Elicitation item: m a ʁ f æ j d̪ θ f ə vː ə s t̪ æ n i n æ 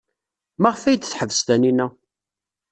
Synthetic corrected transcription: m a ʁ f æ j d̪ θ ħ ə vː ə s t̪ æ n i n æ